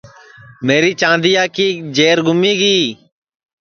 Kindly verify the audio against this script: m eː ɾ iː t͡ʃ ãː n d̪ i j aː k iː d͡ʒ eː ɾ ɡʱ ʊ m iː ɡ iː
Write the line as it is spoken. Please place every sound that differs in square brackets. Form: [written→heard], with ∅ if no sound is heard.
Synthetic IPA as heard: m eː ɾ iː t͡ʃ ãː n d̪ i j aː k iː d͡ʒ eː ɾ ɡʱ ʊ m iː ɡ iː